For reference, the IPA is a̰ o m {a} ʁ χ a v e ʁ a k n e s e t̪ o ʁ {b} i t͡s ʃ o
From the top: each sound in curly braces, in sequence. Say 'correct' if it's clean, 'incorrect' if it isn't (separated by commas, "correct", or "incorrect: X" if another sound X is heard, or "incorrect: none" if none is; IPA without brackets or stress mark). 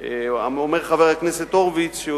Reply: incorrect: e, incorrect: v